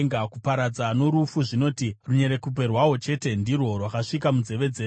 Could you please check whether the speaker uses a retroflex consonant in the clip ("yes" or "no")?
yes